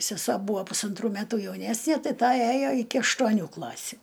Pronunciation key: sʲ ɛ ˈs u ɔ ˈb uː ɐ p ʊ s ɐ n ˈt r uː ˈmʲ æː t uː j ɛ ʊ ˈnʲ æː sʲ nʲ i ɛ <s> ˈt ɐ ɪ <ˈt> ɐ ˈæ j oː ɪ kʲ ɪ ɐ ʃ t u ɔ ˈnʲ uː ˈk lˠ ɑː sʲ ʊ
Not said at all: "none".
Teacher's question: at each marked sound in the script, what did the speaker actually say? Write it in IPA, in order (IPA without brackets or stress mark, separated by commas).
none, t